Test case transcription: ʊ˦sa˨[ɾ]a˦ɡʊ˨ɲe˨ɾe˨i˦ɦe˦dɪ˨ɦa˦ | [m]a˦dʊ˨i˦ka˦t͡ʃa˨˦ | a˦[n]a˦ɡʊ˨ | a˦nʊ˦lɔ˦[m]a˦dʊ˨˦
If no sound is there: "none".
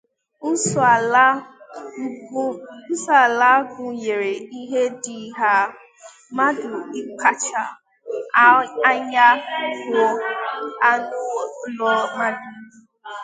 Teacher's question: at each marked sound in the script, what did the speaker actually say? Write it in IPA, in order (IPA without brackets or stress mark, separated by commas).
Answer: l, m, ɲ, m